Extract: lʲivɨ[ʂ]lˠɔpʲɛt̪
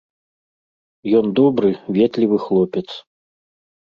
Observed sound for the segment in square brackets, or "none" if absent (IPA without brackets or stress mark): x